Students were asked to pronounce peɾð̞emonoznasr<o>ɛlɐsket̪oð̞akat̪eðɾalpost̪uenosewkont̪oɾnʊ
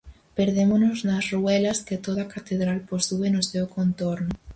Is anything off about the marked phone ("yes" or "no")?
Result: yes